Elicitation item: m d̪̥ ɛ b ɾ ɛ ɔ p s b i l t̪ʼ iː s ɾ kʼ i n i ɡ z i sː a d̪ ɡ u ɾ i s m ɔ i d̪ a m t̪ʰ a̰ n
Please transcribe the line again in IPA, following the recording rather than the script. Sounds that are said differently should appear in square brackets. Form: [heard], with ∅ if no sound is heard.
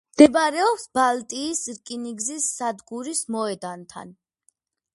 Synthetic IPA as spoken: m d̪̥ ɛ b ɾ ɛ ɔ p s b [a] l t̪ʼ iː s ɾ kʼ i n i ɡ z i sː a d̪ ɡ u ɾ i s m ɔ [ɛ] d̪ a [n] t̪ʰ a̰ n